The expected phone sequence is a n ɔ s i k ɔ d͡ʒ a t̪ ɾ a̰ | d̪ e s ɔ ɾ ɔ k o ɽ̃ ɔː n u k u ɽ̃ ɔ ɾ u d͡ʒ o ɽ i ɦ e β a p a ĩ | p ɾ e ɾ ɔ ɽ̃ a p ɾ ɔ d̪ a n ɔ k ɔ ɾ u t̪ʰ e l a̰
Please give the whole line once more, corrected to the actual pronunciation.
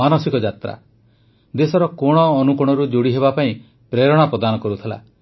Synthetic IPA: a n ɔ s i k ɔ d͡ʒ a t̪ ɾ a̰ | d̪ e s ɔ ɾ ɔ k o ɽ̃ ɔː n u k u ɽ̃ ɔ ɾ u d͡ʒ o ɽ i ɦ e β a p a ĩ | p ɾ e ɾ ɔ ɽ̃ a p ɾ ɔ d̪ a n ɔ k ɔ ɾ u t̪ʰ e l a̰